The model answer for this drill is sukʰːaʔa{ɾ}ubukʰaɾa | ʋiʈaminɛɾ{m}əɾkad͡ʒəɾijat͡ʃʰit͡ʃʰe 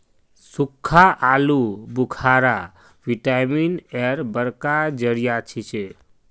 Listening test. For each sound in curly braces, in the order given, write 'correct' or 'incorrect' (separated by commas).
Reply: incorrect, incorrect